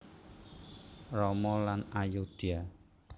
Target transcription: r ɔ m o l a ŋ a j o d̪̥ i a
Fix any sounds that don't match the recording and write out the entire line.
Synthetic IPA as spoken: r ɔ m ɔ l a n a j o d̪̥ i a